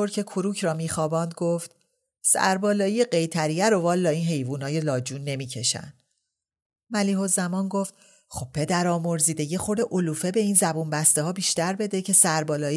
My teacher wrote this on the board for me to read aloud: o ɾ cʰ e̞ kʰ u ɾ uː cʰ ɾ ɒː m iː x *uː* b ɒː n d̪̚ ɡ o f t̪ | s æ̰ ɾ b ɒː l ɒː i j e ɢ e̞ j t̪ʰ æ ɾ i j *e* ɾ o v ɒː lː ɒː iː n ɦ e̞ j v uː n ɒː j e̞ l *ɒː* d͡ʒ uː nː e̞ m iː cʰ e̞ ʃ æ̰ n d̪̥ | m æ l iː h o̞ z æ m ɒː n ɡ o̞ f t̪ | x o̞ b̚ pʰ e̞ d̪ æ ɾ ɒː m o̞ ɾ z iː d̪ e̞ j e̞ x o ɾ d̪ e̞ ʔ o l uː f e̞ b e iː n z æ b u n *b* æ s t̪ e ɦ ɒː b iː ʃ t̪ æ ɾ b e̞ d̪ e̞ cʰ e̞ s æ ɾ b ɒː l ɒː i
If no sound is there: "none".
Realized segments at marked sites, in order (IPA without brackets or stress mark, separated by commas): ɒː, æ, ɒː, b